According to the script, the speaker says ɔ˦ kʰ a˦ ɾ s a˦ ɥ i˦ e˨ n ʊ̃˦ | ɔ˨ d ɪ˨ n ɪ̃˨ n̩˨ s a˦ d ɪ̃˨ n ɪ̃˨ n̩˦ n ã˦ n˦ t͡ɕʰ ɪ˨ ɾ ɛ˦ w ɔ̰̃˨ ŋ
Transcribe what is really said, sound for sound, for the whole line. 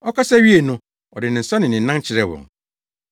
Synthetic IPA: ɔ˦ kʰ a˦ s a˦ ɥ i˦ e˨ n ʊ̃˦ | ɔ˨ d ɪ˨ n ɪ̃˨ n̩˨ s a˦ n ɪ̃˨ n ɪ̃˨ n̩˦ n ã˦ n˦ t͡ɕʰ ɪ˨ ɾ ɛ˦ w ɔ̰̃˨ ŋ